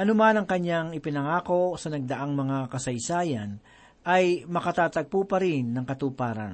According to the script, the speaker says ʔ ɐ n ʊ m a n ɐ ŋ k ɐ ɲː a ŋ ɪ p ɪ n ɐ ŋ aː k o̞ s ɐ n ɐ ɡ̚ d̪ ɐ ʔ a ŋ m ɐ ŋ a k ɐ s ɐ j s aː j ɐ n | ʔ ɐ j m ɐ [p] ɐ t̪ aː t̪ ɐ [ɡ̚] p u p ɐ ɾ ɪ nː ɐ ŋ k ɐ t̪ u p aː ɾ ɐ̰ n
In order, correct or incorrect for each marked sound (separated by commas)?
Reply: incorrect, correct